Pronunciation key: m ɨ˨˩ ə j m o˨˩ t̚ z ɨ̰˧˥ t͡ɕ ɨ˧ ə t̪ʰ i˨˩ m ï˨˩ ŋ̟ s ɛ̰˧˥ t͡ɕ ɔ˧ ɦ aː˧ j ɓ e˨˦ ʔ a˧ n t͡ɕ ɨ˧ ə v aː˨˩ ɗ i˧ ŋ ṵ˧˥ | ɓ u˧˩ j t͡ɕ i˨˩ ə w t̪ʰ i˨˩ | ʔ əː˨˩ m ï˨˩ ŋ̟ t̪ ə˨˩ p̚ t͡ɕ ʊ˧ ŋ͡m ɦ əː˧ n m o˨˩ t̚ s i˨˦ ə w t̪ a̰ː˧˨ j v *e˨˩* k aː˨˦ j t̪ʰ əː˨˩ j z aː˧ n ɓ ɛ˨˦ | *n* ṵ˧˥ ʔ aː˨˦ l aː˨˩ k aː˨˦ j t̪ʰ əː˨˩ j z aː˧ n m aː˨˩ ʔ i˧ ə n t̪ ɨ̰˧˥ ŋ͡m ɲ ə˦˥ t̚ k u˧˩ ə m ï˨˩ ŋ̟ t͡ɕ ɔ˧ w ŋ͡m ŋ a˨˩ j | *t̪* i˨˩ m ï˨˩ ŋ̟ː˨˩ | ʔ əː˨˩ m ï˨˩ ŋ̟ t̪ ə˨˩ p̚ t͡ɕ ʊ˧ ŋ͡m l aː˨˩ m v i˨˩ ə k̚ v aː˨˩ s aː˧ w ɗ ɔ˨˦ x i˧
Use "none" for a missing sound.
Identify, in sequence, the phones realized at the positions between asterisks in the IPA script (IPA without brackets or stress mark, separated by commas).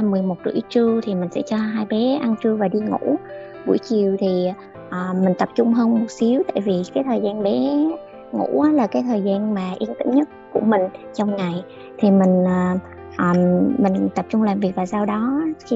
i˨˩, ŋ, t̪ʰ